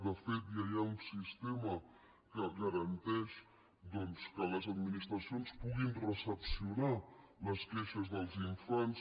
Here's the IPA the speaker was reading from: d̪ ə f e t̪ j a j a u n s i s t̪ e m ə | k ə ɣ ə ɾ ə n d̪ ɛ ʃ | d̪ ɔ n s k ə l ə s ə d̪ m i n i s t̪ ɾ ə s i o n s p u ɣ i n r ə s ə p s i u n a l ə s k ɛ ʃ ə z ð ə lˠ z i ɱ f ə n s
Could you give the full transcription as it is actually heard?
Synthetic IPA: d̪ ə f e t̪ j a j a u n s i s t̪ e m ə | k ə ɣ ə ɾ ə n t̪ ɛ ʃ | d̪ ɔ n s k ə l ə z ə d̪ m i n i s t̪ ɾ ə s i o n s p u ɣ i n r ə s ə p s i u n a l ə s k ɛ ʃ ə z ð ə lˠ z i ɱ f a n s